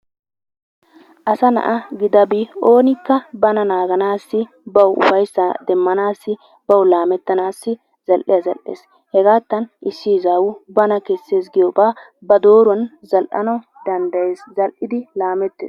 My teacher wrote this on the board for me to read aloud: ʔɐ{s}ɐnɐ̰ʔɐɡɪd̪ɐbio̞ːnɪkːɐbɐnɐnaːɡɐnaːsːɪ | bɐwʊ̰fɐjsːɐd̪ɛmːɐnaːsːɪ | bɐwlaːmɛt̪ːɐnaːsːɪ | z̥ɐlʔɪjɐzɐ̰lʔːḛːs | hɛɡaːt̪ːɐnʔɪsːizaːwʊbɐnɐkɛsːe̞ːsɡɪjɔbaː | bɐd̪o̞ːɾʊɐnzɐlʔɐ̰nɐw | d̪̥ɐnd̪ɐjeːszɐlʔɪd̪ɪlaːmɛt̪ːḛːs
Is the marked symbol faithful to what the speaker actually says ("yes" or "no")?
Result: yes